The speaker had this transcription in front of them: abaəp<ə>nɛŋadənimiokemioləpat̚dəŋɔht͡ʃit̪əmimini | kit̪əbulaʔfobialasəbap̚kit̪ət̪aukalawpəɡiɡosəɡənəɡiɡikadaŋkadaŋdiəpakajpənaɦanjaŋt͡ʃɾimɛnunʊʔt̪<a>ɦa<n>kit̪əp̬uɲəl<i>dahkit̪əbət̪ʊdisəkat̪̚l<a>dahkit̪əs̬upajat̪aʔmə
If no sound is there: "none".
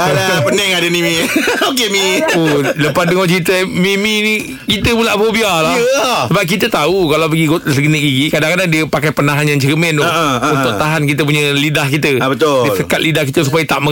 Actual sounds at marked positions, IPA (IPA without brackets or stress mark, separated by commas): ə, a, n, i, i